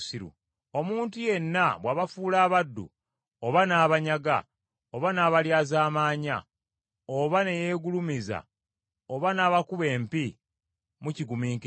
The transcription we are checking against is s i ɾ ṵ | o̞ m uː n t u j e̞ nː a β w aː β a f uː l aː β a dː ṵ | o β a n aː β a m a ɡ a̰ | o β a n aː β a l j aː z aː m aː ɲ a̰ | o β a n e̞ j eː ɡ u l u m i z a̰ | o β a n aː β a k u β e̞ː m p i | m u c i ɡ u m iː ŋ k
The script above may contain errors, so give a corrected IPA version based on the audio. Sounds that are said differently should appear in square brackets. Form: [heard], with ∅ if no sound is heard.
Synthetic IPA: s i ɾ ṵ | o̞ m uː n t u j e̞ nː a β w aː β a f uː l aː β a dː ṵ | o β a n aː β a [ɲ] a ɡ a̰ | o β a n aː β a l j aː z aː m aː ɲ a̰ | o β a n e̞ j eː ɡ u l u m i z a̰ | o β a n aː β a k u β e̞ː m p i | m u c i ɡ u m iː ŋ k